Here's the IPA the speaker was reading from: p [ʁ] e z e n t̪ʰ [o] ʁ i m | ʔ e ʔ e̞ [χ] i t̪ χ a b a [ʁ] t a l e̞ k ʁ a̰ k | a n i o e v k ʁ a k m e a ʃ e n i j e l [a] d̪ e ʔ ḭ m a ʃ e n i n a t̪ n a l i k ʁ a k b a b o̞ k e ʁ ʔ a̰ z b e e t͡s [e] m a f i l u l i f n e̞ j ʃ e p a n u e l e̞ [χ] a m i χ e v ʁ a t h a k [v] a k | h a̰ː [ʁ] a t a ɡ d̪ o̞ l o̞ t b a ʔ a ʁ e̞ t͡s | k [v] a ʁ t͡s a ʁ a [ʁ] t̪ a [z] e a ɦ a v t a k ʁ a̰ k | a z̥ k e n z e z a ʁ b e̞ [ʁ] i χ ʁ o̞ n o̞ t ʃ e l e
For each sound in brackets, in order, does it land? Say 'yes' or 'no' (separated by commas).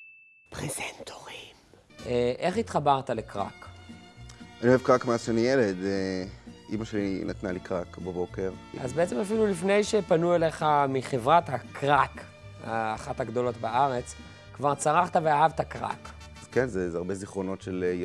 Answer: yes, yes, yes, yes, no, yes, yes, no, no, yes, no, no, no